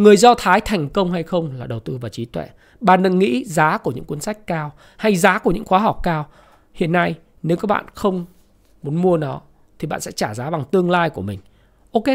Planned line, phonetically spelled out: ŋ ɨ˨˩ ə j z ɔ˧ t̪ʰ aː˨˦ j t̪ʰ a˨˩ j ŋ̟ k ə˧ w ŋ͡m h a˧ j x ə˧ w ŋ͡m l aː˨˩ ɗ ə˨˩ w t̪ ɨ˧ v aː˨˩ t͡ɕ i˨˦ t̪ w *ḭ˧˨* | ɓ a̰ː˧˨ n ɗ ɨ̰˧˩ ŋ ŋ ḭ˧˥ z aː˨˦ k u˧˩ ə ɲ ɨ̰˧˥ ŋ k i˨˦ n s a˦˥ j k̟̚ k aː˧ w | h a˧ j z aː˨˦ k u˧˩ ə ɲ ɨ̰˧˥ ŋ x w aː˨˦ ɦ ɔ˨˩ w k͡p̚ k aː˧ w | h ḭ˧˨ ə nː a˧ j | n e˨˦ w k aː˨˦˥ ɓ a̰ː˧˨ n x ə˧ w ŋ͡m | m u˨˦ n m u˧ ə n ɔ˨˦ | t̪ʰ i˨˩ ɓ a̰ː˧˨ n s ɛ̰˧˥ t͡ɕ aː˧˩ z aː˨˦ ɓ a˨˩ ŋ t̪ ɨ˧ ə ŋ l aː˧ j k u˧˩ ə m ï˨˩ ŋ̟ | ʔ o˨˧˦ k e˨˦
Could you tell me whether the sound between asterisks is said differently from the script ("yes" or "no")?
yes